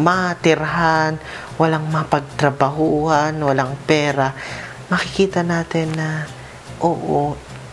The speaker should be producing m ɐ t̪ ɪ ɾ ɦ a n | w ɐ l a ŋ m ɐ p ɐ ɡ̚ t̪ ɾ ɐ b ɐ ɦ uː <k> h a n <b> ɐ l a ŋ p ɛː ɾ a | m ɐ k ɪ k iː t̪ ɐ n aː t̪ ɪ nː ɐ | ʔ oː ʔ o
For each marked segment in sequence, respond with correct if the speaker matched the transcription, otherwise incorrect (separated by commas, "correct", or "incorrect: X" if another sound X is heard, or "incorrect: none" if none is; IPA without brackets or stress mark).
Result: incorrect: none, incorrect: w